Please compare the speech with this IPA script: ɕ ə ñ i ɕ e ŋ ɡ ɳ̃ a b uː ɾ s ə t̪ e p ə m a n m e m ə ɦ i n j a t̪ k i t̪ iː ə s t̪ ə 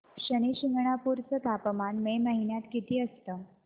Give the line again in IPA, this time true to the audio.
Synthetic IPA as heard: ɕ ə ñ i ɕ i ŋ ɡ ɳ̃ a p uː ɾ t͡s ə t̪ a p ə m a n m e m ə ɦ i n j a t̪ k i t̪ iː ə s t̪ ə